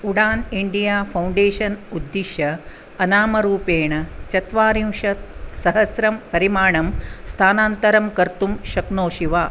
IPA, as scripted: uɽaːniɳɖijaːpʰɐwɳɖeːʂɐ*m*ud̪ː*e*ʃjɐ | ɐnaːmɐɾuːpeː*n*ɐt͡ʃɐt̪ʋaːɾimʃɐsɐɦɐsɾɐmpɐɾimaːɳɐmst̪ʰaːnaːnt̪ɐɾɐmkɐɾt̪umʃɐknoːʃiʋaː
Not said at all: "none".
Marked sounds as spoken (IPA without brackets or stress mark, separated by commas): n, i, ɳ